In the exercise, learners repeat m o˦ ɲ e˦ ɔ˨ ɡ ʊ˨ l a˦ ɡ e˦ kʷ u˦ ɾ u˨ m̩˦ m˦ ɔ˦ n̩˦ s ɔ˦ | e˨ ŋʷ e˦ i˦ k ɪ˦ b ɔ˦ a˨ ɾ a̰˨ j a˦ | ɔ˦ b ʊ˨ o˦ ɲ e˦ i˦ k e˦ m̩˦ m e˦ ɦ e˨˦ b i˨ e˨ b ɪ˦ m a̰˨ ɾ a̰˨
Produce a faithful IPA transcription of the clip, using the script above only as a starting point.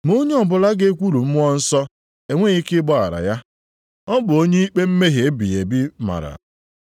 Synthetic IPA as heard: m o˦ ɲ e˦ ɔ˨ b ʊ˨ l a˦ ɡ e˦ kʷ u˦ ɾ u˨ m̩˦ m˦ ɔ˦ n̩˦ s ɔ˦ | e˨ ŋʷ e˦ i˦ k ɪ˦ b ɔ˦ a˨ ɾ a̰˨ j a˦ | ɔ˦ b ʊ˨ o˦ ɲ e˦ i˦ k͡p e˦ m̩˦ m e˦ ɦ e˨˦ b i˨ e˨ b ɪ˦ m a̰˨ ɾ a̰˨